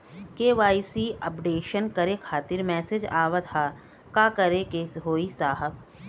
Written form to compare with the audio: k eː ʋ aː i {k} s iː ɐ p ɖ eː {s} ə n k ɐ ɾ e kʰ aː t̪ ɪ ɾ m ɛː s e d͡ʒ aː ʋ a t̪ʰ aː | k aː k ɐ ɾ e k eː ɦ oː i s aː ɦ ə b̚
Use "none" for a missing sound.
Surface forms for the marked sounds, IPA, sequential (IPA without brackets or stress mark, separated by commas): none, ʃ